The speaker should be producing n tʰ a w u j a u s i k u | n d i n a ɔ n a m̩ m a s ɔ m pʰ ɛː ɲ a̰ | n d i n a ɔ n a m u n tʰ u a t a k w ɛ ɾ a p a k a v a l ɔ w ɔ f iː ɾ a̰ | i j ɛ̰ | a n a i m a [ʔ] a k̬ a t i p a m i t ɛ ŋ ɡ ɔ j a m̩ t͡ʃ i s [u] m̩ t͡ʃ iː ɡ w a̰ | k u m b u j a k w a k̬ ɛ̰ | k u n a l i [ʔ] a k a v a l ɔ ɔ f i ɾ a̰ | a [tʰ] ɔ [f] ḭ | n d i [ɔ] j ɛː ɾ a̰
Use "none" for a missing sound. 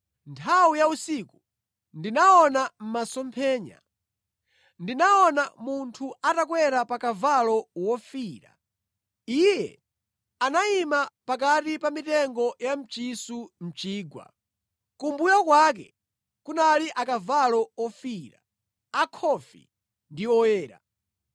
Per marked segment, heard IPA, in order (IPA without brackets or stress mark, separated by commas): p, u, ʔ, kʰ, f, ɔ